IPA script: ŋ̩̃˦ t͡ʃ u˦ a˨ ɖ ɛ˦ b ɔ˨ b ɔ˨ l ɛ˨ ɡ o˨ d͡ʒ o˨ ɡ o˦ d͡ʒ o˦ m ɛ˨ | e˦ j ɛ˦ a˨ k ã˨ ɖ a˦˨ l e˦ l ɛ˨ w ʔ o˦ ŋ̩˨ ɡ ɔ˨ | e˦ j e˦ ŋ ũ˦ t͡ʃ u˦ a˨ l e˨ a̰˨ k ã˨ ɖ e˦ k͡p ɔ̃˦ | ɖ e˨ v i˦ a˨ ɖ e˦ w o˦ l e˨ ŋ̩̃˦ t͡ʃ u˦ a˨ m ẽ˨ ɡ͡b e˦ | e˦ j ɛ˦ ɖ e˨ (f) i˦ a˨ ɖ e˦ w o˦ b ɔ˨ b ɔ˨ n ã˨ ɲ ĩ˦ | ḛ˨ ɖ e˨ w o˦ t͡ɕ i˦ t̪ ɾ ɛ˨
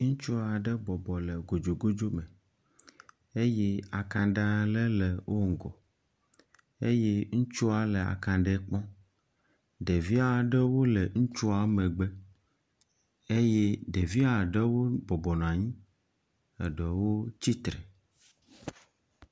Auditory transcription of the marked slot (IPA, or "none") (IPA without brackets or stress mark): v